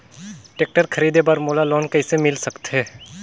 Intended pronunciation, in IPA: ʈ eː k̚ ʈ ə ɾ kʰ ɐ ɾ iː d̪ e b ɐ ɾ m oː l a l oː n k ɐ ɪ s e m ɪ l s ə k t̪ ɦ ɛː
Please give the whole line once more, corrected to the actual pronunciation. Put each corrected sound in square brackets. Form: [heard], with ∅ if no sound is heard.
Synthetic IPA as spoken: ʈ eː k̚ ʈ ə ɾ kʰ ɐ ɾ iː d̪ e b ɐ ɾ m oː l a l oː n k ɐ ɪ s e m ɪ l s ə k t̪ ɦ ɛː